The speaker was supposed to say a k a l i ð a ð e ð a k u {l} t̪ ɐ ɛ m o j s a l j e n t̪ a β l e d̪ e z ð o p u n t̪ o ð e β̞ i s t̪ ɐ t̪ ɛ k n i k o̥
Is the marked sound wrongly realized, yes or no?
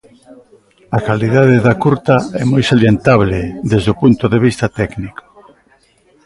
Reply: yes